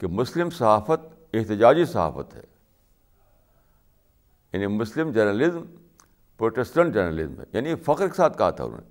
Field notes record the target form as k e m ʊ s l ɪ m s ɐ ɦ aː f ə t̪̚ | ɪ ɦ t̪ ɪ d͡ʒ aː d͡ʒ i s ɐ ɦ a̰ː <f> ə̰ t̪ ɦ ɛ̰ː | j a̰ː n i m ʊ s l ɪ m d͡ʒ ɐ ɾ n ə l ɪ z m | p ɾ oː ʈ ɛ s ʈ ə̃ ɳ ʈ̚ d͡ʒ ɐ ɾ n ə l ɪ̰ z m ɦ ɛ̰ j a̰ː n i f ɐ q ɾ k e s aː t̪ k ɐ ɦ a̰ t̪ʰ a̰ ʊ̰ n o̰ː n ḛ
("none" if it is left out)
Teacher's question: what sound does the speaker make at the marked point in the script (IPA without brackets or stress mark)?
f